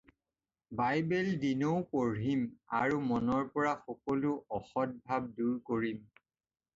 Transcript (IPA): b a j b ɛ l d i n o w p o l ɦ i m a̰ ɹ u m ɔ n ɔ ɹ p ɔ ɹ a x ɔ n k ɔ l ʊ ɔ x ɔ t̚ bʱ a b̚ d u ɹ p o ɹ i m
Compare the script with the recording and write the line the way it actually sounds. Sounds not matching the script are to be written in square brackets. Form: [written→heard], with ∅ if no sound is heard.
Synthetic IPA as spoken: b a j b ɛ l d i n o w p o [l→ɹ] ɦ i m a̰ ɹ u m ɔ n ɔ ɹ p ɔ ɹ a x ɔ [n→∅] k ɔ l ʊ ɔ x ɔ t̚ bʱ a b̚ d u ɹ [p→k] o ɹ i m